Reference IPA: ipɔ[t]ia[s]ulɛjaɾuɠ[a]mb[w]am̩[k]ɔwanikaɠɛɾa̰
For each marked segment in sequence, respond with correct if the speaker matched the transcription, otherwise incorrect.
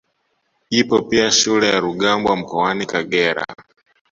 incorrect: p, incorrect: ʃ, correct, correct, correct

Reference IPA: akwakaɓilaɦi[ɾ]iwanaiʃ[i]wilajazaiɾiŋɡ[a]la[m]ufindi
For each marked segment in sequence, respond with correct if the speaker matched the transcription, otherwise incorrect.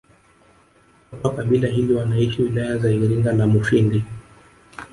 incorrect: l, correct, correct, correct

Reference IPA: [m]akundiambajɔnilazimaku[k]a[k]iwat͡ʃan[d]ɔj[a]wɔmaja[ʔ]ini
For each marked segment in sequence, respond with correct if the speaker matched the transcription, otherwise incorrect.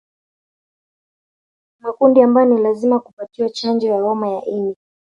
correct, incorrect: p, incorrect: t, incorrect: d͡ʒ, correct, correct

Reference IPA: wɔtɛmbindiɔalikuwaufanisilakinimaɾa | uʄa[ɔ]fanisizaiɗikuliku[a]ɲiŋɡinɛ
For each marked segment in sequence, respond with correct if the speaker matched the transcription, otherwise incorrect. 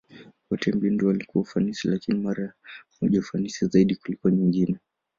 incorrect: u, correct

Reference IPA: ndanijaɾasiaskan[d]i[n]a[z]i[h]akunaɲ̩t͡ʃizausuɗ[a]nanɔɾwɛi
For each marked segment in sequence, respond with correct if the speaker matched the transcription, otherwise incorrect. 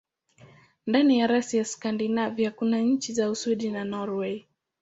correct, correct, incorrect: v, correct, incorrect: i

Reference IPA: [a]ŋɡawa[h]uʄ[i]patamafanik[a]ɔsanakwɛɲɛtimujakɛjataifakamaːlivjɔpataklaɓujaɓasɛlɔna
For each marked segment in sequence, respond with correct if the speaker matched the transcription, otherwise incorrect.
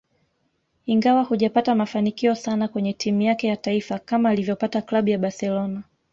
incorrect: i, correct, incorrect: a, incorrect: i

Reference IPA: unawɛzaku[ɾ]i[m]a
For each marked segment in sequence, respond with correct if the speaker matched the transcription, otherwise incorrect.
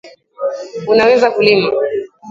incorrect: l, correct

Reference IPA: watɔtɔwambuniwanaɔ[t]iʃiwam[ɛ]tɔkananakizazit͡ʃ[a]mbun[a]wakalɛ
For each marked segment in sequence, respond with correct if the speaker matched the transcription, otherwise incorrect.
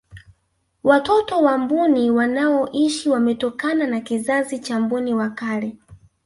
incorrect: ʔ, correct, correct, incorrect: i

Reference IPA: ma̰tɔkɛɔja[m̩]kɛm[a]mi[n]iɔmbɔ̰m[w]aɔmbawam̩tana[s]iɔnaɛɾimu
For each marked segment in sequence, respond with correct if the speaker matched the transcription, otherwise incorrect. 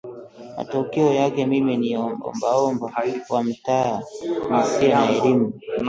incorrect: none, incorrect: i, correct, incorrect: b, correct

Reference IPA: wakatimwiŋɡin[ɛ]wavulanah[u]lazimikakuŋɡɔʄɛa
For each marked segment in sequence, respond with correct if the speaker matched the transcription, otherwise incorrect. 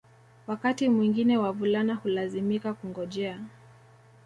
correct, correct

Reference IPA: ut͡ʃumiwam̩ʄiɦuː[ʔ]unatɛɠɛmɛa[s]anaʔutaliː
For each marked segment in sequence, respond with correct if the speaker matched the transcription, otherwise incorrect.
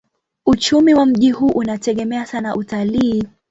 correct, correct

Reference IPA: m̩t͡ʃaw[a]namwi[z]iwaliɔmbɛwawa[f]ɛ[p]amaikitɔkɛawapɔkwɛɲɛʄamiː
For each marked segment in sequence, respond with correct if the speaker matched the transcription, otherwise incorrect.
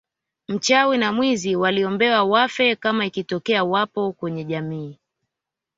incorrect: i, correct, correct, incorrect: k

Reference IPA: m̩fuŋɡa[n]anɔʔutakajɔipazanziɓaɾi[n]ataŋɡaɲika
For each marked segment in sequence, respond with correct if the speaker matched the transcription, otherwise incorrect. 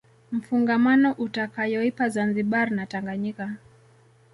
incorrect: m, correct

